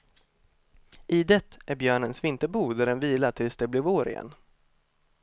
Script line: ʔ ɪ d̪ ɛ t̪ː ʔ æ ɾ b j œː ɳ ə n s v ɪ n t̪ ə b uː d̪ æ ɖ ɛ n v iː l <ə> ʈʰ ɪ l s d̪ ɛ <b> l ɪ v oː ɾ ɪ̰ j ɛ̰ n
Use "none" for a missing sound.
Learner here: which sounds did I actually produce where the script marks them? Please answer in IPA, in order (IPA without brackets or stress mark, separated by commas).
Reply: a, b